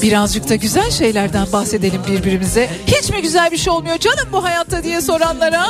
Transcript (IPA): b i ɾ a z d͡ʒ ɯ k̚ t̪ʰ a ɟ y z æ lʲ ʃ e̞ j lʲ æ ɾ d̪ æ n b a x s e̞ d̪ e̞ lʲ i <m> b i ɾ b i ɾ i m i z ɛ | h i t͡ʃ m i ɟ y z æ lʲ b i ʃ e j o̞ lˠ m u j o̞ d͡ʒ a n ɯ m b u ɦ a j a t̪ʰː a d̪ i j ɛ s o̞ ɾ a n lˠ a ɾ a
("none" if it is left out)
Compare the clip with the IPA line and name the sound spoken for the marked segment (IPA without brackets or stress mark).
m